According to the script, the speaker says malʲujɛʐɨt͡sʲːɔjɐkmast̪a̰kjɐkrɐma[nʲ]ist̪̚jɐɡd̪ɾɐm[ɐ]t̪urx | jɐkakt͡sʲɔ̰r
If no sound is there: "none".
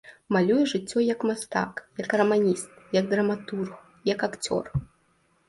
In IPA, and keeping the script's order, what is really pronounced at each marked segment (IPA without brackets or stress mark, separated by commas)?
nʲ, a